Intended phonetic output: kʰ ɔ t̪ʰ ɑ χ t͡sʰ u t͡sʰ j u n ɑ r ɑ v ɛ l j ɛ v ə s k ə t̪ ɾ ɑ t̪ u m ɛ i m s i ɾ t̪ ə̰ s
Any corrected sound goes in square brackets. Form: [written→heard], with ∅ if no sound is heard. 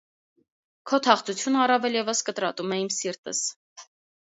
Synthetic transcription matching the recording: kʰ ɔ t̪ʰ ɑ χ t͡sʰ u t͡sʰ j u n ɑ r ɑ v ɛ l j ɛ v ə s k ə t̪ ɾ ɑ t̪ u m ɛ i m s i ɾ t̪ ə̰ s